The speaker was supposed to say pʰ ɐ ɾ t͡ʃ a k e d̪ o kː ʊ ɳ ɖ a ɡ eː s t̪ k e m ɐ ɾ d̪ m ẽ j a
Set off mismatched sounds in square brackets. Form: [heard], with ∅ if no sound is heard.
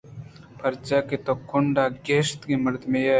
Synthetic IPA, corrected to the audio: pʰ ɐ ɾ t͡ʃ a k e [t̪] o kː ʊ ɳ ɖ a ɡ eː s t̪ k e m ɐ ɾ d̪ m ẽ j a

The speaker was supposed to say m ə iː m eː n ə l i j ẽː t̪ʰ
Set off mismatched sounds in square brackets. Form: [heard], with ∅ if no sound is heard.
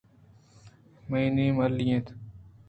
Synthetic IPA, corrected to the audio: m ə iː [n] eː [m] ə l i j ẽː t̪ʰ

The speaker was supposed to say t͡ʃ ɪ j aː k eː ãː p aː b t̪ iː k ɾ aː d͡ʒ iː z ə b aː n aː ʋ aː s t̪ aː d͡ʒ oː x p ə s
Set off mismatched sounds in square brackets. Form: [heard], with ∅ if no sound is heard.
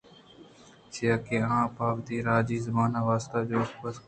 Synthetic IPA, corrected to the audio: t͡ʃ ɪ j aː k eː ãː p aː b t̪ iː [∅] ɾ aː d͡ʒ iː z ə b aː n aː ʋ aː s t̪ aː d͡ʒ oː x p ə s

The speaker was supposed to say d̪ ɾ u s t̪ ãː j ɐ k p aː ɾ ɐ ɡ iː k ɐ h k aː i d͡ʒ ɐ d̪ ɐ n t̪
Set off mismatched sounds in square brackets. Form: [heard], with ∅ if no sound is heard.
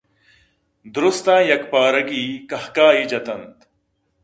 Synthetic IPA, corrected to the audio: d̪ ɾ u s t̪ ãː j ɐ k p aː ɾ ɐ ɡ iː k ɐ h k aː i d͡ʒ ɐ [t̪] ɐ n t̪

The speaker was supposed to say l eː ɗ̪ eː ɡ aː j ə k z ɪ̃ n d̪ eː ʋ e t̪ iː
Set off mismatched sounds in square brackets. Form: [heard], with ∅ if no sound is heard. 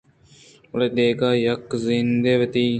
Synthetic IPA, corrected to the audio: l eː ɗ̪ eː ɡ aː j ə k z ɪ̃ n d̪ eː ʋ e t̪ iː

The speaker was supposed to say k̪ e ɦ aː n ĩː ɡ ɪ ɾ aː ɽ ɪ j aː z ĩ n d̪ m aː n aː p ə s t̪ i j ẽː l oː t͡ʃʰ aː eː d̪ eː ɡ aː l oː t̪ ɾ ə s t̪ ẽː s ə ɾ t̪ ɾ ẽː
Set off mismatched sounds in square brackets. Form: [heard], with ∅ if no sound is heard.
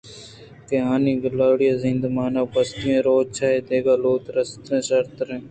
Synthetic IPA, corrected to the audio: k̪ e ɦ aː n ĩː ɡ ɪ [l] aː ɽ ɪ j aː z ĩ n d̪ m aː n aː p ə s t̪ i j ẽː [ɾ] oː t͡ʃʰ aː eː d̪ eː ɡ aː l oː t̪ ɾ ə s t̪ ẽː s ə ɾ t̪ ɾ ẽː

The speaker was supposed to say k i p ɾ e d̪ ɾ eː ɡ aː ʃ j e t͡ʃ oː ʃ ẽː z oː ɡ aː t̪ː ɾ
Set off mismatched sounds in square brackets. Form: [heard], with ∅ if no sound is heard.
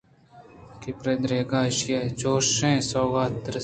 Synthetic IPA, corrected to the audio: k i p ɾ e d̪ ɾ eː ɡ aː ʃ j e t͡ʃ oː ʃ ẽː [s] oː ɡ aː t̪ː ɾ

